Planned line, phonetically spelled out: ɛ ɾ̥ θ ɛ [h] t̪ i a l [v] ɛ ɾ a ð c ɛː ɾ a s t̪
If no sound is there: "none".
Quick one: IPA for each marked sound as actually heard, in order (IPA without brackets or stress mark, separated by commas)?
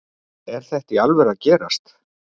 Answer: h, v